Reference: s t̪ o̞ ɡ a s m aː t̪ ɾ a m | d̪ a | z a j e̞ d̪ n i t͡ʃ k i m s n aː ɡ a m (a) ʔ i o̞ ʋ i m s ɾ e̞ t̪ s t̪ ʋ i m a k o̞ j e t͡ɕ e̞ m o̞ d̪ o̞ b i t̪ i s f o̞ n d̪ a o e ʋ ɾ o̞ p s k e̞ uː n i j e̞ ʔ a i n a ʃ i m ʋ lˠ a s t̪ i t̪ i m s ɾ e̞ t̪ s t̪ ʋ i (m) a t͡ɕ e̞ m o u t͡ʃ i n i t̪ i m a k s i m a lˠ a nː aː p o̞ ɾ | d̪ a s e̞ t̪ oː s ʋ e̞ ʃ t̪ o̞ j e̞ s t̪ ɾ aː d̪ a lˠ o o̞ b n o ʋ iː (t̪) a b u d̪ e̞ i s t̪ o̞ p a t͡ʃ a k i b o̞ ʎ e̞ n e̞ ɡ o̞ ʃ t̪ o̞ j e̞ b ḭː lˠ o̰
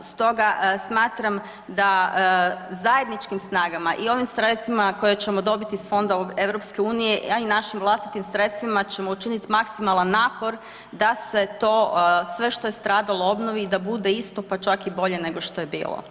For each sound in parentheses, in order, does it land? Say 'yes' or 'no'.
yes, yes, no

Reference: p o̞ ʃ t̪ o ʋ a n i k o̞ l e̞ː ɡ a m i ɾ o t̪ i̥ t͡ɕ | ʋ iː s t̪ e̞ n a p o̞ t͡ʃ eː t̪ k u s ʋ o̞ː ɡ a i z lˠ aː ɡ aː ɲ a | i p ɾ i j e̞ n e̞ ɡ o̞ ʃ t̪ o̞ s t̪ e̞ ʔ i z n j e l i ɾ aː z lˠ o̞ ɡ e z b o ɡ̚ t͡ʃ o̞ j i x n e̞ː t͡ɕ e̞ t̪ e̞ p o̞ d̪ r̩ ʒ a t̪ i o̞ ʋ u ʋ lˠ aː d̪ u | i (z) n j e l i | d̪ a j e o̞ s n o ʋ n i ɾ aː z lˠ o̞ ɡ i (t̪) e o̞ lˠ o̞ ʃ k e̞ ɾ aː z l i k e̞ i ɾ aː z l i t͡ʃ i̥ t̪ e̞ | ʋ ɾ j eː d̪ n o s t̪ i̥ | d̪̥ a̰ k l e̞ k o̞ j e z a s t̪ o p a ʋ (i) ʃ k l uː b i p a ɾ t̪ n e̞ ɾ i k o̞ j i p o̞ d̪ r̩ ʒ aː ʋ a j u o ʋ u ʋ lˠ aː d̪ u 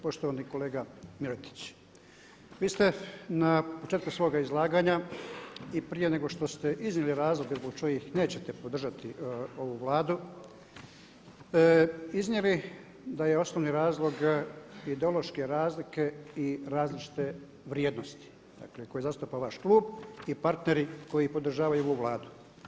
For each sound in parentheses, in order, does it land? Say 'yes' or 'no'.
yes, no, no

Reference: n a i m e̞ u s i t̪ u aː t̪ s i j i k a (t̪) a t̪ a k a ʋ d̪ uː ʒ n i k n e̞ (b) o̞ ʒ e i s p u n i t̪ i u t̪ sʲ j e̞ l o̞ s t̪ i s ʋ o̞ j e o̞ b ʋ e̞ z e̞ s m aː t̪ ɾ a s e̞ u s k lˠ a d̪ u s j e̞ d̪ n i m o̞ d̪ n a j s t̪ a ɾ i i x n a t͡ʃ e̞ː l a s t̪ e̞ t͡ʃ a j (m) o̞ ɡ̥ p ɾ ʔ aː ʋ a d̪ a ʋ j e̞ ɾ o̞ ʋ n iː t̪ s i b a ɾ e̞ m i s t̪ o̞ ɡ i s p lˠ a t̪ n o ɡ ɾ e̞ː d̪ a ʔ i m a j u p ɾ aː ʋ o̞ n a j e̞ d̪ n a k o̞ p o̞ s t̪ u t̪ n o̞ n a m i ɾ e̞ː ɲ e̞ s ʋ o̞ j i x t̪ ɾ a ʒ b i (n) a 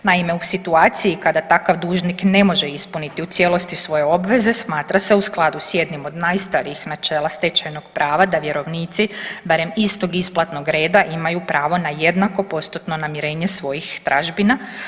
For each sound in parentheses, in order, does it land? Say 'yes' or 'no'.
no, no, no, yes

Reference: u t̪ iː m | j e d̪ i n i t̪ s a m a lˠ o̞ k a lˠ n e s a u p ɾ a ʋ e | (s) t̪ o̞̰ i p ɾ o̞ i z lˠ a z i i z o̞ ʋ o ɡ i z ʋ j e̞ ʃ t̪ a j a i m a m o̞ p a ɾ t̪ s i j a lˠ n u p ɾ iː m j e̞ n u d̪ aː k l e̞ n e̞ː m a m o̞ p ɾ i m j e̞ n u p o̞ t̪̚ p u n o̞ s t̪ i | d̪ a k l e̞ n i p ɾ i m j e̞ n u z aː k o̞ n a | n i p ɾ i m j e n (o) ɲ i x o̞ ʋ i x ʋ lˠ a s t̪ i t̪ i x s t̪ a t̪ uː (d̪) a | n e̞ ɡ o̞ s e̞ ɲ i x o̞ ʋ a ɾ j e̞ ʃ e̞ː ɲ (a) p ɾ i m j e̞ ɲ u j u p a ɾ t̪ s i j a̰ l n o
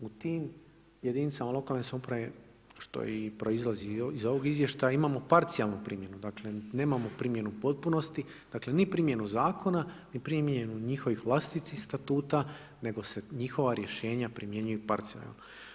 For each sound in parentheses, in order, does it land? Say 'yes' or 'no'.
no, no, no, yes

